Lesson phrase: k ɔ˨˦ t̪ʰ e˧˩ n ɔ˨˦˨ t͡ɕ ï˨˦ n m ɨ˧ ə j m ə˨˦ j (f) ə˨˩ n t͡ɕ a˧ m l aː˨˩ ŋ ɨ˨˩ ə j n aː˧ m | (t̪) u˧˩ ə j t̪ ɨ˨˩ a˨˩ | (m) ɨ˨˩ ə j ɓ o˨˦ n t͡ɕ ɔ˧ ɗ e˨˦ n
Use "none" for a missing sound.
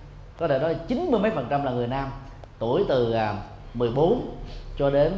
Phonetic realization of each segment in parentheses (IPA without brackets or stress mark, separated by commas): f, t̪, m